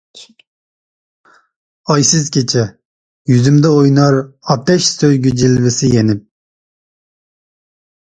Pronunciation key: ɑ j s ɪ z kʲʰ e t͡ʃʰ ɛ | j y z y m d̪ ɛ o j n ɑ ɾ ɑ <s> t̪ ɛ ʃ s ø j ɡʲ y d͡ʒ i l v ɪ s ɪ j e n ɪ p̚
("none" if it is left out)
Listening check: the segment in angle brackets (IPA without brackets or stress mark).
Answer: none